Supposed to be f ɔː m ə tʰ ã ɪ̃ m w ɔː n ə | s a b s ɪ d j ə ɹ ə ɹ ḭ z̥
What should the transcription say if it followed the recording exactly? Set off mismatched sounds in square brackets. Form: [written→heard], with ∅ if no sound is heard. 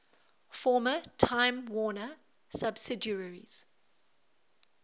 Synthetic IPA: f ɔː m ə tʰ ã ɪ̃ m w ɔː n ə | s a b s ɪ d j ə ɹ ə ɹ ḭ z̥